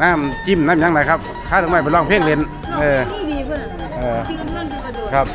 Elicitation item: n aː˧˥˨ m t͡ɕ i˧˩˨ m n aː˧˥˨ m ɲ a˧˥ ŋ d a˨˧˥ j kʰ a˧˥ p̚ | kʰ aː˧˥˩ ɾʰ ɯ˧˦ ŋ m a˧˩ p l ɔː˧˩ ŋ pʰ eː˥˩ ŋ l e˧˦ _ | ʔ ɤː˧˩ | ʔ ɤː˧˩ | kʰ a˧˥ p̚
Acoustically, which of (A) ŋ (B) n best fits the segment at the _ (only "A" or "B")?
B